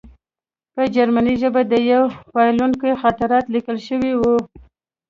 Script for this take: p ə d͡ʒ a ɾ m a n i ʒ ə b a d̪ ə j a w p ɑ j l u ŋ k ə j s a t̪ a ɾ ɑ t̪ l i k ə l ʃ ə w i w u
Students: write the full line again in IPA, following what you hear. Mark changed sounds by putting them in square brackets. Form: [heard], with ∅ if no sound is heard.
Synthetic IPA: p ə d͡ʒ a ɾ m a n i ʒ ə b a d̪ ə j a w p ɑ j l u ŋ k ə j [x] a t̪ a ɾ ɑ t̪ l i k ə l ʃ ə w i w u

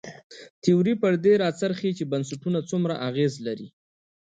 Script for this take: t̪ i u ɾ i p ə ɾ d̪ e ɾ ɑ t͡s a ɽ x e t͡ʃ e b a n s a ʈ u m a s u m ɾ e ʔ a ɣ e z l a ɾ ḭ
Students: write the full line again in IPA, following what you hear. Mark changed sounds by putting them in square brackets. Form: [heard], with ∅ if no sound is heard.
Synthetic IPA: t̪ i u ɾ i p ə ɾ d̪ e ɾ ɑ t͡s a [ɾ] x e t͡ʃ e b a n s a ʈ u [n] a [t͡s] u m ɾ [a] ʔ a ɣ e z l a ɾ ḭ

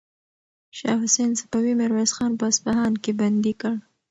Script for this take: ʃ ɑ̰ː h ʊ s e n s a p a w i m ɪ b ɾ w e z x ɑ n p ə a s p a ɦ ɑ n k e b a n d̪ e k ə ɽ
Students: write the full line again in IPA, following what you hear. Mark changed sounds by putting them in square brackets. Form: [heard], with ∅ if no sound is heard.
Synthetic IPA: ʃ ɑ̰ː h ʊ s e n s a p a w i m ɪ [∅] ɾ w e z x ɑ n p ə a s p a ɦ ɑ n k e b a n d̪ [i] k ə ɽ

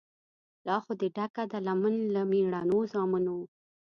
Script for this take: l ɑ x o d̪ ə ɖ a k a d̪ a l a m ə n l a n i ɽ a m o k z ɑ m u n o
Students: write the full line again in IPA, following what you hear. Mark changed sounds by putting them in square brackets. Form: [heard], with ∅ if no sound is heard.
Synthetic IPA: l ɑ x o d̪ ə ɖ a k a d̪ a l a m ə n l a [m] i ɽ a [n] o [∅] z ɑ m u n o

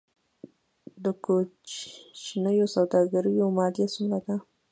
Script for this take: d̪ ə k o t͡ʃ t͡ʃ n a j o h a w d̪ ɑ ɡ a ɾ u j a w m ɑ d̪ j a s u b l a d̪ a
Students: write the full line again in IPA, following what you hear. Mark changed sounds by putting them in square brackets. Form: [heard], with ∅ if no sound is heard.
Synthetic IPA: d̪ ə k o t͡ʃ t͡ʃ n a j o [s] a w d̪ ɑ ɡ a ɾ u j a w m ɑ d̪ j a s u [m] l a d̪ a

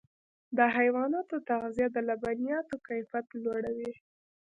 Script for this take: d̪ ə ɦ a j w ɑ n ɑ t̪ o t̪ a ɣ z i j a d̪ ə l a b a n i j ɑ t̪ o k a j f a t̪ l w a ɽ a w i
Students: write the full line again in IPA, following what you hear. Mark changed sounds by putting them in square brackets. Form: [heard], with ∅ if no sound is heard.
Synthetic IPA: d̪ ə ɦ a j w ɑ n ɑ t̪ o t̪ a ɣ z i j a d̪ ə l a b a n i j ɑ t̪ o k a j f a t̪ l w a ɽ a w i

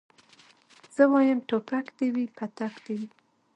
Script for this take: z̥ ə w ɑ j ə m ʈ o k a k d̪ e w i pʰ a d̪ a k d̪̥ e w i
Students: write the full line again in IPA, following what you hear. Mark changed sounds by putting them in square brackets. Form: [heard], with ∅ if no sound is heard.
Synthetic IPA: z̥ ə w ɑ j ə m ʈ o [p] a k d̪ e w i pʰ a [t̪] a k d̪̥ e w i

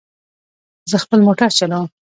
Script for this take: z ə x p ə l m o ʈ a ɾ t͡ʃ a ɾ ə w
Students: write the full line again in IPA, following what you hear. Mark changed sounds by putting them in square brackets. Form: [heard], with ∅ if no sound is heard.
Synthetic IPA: z ə x p ə l m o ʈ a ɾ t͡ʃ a [l] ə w

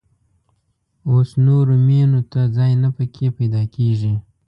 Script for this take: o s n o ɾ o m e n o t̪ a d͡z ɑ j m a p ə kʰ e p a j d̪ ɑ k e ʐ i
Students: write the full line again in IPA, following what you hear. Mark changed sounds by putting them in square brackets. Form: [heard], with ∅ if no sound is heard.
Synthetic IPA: o s n o ɾ o m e n o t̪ a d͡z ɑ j [n] a p ə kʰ e p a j d̪ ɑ k e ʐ i

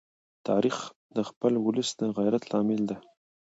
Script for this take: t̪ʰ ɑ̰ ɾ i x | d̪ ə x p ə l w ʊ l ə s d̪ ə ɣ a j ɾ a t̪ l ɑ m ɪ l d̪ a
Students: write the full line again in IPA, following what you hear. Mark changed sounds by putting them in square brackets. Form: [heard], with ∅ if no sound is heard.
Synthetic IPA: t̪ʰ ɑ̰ ɾ i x | d̪ ə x p ə l w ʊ l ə s d̪ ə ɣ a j ɾ a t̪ l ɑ m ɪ l d̪ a

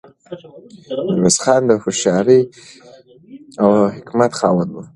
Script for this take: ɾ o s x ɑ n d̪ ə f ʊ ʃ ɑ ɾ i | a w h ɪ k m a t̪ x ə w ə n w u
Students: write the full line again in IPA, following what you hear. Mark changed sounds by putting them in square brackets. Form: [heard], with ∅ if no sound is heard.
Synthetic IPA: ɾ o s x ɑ n d̪ ə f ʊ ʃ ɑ ɾ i | a w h ɪ k m a t̪ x [ɑ] w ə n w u

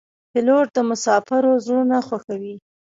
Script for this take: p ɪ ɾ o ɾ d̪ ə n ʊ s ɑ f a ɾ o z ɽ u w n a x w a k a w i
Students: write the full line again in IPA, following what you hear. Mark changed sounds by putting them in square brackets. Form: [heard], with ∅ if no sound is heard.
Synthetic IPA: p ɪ [l] o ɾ d̪ ə [m] ʊ s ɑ f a ɾ o z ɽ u [∅] n a x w a [x] a w i

